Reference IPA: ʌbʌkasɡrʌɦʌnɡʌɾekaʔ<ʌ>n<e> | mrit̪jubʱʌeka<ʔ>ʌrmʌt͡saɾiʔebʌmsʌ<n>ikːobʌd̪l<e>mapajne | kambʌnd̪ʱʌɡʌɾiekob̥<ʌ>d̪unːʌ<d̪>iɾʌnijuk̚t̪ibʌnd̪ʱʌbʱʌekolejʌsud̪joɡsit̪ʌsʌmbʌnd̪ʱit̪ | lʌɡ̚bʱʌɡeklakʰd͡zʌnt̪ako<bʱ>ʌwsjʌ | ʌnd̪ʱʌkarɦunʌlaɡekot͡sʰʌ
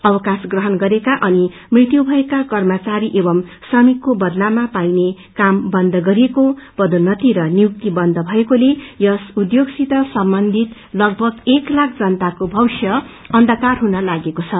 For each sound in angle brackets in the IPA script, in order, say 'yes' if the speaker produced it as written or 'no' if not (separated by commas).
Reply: yes, no, no, no, no, yes, no, yes